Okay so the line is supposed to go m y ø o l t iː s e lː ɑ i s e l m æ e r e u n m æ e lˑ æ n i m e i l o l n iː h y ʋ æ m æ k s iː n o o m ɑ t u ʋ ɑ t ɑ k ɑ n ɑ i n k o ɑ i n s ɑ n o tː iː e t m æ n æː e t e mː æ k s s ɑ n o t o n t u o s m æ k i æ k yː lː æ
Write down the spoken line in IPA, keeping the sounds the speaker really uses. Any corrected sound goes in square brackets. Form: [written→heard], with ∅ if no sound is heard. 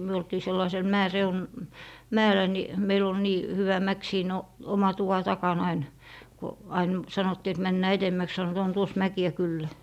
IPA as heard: m y ø o l t iː s e lː ɑ i s e l m æ e r e u n m æ e lˑ æ n i m e i l o l n iː h y ʋ æ m æ k s iː n o o m ɑ t u ʋ ɑ t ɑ k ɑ n ɑ i n k o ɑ i n s ɑ n o tː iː e t m æ [n→nː] æː e t e mː æ k s s ɑ n o t o n t u o s m æ k i æ k [yː→y] lː æ